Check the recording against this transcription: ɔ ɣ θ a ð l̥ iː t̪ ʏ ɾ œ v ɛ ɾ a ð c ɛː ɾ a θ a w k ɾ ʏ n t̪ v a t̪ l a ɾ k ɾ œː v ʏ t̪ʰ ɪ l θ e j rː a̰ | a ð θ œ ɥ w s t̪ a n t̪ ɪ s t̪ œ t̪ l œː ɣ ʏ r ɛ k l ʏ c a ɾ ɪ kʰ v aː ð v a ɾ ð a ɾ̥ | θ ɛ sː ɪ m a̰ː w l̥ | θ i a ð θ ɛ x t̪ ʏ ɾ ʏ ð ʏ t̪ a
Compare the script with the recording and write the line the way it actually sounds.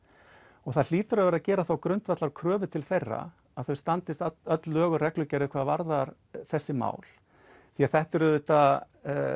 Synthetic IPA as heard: ɔ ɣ θ a ð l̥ iː t̪ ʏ ɾ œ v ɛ ɾ a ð c ɛː ɾ a θ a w k ɾ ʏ n t̪ v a t̪ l a ɾ kʰ ɾ œː v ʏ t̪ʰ ɪ l θ e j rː a̰ | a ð θ œ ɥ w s t̪ a n t̪ ɪ s t̪ œ t̪ l œː ɣ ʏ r ɛ k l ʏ c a ɾ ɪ kʰ v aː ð v a ɾ ð a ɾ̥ | θ ɛ sː ɪ m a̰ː w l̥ | θ i a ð θ ɛ h t̪ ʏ ɾ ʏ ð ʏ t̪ a

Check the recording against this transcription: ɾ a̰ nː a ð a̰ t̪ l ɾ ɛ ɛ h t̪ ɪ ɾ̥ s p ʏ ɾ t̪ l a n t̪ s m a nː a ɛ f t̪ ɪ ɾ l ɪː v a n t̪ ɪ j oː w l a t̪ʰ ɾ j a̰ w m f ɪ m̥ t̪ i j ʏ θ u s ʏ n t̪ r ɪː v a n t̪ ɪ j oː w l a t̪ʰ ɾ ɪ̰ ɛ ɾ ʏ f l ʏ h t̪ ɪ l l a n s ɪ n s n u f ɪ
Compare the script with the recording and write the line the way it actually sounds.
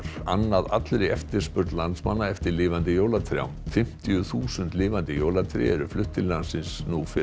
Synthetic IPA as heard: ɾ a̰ nː a ð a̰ t̪ l ɾ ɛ ɛ f t̪ ɪ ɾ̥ s p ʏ ɾ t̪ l a n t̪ s m a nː a ɛ f t̪ ɪ ɾ l ɪː v a n t̪ ɪ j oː w l a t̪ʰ ɾ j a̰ w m f ɪ m̥ t̪ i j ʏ θ uː s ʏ n t̪ l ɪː v a n t̪ ɪ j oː w l a t̪ʰ ɾ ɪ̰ ɛ ɾ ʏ f l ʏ h t̪ ɪ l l a n s ɪ n s n u f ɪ

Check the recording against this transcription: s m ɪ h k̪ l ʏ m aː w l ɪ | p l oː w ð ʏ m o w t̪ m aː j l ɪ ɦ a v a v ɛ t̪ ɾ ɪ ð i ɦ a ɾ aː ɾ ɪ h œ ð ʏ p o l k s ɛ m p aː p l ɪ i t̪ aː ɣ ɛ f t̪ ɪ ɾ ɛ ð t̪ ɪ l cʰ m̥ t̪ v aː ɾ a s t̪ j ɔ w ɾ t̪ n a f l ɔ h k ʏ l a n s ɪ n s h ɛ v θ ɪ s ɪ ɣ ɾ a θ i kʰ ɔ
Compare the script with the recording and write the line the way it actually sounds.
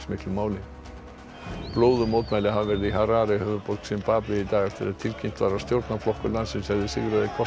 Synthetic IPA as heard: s m ɪ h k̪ l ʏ m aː w l ɪ | p l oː w ð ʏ m o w t̪ m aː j l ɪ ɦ a v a v ɛ ɾ ɪ ð i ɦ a ɾ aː ɾ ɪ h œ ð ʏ p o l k s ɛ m p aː p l ɪ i t̪ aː ɣ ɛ f t̪ ɪ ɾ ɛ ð t̪ʰ ɪ l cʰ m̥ t̪ v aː ɾ a s t̪ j o w ɾ t̪ n a f l ɔ h k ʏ l a n s ɪ n s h ɛ v ð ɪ s ɪ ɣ ɾ a ð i kʰ ɔ

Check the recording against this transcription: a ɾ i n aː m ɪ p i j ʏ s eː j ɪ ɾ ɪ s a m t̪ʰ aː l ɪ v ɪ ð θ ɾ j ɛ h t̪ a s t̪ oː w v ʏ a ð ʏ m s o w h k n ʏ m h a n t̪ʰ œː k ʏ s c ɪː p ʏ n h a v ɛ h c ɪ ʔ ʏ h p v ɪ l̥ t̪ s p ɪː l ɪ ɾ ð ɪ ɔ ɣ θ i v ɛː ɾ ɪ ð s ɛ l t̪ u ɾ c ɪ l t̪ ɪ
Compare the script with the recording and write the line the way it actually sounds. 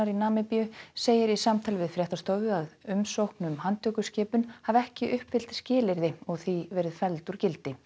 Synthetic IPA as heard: a ɾ i n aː m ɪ p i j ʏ s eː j ɪ ɾ i s a m t̪ʰ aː l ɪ v ɪ ð f ɾ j ɛ h t̪ a s t̪ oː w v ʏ a ð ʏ m s o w h k n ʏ m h a n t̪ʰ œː k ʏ s c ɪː p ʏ n h a v ɛ h c ɪ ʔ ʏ h p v ɪ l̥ t̪ s c ɪː l ɪ ɾ ð ɪ ɔ ɣ θ i v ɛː ɾ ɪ ð f ɛ l t̪ u ɾ c ɪ l t̪ ɪ

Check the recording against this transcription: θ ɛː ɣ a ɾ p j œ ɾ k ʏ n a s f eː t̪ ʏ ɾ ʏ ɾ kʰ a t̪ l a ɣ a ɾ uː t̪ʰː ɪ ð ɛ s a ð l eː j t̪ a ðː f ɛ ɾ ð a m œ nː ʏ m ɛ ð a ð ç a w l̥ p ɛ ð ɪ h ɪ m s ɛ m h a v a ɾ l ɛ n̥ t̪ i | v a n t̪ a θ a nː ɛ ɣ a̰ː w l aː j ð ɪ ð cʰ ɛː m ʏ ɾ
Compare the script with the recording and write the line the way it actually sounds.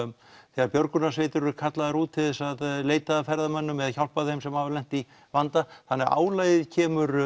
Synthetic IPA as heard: θ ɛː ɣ a ɾ p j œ ɾ k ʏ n a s v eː t̪ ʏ ɾ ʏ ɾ kʰ a t̪ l a ð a ɾ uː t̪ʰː ɪ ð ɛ s a ð l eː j t̪ a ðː f ɛ ɾ ð a m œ nː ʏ m ɛ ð a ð ç a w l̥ p a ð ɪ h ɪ m s ɛ m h a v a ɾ l ɛ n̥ t̪ i | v a n t̪ a θ a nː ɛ ɣ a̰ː w l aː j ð ɪ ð cʰ ɛː m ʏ ɾ

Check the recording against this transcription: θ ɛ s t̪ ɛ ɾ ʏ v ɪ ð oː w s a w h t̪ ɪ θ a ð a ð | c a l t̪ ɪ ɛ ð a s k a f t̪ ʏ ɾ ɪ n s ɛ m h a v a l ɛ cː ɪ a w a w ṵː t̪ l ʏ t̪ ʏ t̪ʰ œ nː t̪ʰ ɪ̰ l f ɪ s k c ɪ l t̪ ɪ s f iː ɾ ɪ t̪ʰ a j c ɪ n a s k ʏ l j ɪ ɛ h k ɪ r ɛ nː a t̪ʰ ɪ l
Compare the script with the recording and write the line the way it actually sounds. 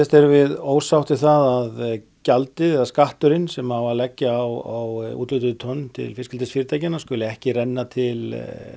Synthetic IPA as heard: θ ɛ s t̪ ɛ ɾ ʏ v ɪ ð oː w s a w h t̪ ɪ θ a ð a ð | c a l t̪ ɪ ɛ ð a s k a h t̪ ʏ ɾ ɪ n s ɛ m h a v a l ɛ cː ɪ a w a w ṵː t̪ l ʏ t̪ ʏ t̪ʰ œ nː t̪ʰ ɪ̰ l f ɪ s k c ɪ l t̪ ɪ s f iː ɾ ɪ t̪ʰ a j c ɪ n a s k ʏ l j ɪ ɛ h c ɪ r ɛ nː a t̪ʰ ɪ l

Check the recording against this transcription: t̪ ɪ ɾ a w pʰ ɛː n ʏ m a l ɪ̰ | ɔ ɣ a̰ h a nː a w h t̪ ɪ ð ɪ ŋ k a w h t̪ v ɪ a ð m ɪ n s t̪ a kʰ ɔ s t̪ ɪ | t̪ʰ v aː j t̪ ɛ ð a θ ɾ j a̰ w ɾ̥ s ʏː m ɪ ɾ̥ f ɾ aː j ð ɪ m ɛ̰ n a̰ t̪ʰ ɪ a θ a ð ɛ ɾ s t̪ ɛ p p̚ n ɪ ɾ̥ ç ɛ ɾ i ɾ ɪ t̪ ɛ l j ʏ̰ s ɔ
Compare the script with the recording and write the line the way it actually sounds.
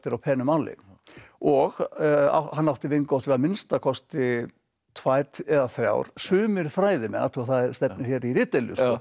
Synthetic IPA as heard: t̪ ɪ ɾ a w pʰ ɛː n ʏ m a l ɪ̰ | ɔ ɣ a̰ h a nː a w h t̪ ɪ v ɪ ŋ k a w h t̪ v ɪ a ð m ɪ n s t̪ a kʰ ɔ s t̪ ɪ | t̪ʰ v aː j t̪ ɛ ð a θ ɾ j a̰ w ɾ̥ s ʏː m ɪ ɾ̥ f ɾ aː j ð ɪ m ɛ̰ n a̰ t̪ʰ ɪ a θ a ð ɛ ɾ s t̪ ɛ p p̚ n ɪ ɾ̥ ç ɛ ɾ i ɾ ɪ t̪ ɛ l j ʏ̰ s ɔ

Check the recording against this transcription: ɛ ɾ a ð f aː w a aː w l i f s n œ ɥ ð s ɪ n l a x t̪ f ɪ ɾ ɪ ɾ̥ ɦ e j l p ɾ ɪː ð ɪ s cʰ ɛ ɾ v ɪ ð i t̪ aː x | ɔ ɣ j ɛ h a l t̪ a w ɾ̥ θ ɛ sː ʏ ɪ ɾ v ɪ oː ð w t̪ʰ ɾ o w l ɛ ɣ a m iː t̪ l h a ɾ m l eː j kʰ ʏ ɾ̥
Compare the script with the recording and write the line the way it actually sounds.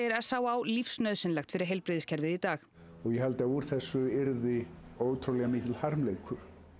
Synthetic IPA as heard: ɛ ɾ a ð s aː w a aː w l i f s n œ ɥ ð s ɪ n l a x t̪ f ɪ ɾ ɪ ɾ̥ ɦ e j l p ɾ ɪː ð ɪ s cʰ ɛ ɾ v ɪ ð i t̪ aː x | ɔ ɣ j ɛ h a l t̪ a u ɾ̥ θ ɛ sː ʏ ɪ ɾ ð ɪ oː w t̪ʰ ɾ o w l ɛ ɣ a m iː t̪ l h a ɾ m l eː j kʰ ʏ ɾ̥

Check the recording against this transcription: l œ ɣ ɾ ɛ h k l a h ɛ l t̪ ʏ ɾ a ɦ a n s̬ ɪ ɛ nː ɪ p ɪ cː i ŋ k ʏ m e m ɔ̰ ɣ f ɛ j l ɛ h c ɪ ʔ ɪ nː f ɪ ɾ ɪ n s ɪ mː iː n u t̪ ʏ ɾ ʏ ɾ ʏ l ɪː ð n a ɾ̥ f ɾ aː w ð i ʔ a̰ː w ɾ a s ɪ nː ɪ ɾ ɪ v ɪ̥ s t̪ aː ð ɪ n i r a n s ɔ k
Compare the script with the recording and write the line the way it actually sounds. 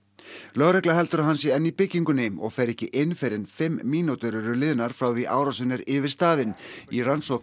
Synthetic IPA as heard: l œ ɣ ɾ ɛ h k l a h ɛ l t̪ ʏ ɾ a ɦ a n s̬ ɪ ɛ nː i p ɪ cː i ŋ k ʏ n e m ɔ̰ ɣ f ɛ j ɾ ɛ h c ɪ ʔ ɪ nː f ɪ ɾ ɪ n f ɪ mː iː n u t̪ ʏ ɾ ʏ ɾ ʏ l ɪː ð n a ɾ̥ f ɾ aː w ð i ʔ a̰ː w ɾ a s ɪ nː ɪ ɾ ɪ v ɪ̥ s t̪ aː ð ɪ n i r a n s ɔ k

